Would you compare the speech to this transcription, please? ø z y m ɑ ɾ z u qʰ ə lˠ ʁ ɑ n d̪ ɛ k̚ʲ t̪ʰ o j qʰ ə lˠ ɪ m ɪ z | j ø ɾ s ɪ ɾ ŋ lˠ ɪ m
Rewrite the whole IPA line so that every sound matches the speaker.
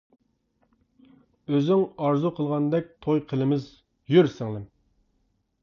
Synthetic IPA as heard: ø z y ŋ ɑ ɾ z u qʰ ə lˠ ʁ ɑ n d̪ ɛ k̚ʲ t̪ʰ o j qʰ ə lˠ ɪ m ɪ z | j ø ɾ s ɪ ŋ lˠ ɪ m